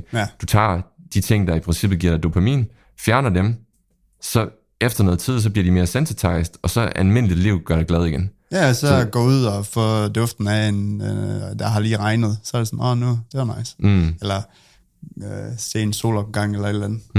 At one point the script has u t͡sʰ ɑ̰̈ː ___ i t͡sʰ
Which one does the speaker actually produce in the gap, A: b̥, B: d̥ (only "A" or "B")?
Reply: B